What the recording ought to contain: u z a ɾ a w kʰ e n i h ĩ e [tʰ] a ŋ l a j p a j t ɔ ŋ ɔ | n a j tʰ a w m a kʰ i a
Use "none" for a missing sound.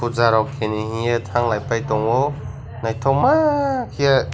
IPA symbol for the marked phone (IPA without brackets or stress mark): tʰ